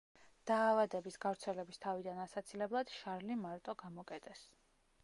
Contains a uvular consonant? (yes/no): no